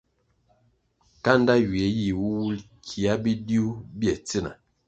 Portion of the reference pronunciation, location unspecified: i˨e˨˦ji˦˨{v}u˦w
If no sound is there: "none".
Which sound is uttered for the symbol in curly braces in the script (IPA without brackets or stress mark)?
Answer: w